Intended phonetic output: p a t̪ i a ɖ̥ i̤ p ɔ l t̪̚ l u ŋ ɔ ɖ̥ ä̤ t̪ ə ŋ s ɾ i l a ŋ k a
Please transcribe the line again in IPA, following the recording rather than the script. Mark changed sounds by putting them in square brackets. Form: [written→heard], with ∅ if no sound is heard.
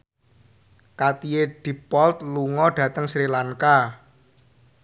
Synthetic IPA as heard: [p→k] a t̪ i [a→e] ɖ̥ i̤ p ɔ l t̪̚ l u ŋ ɔ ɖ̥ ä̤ t̪ ə ŋ s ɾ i l a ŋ k a